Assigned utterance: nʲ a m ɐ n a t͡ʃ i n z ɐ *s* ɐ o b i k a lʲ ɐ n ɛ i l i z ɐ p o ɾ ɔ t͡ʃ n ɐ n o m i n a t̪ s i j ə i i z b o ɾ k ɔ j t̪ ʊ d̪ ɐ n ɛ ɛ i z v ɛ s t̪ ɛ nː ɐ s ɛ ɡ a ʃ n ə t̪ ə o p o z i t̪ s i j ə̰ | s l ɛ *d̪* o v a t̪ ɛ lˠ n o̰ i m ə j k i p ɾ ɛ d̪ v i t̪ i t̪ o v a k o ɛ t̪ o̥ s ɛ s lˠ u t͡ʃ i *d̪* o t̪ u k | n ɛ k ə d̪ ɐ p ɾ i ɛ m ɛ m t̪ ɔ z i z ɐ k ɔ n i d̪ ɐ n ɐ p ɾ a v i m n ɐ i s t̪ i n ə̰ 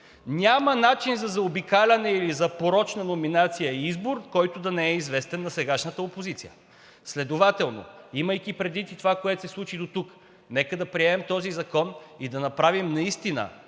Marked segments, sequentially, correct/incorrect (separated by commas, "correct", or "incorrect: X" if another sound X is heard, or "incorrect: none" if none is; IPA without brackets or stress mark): incorrect: z, correct, correct